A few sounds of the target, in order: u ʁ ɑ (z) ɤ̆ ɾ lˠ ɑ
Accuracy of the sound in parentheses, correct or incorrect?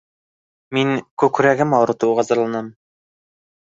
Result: correct